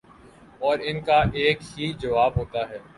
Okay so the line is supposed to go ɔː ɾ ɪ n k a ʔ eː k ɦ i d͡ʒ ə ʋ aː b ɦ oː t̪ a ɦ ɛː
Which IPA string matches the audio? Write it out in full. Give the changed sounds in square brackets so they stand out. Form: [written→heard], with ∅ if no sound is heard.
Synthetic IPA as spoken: ɔː ɾ ɪ n k a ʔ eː k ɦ i d͡ʒ [ə→ɐ] ʋ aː b ɦ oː t̪ a ɦ ɛː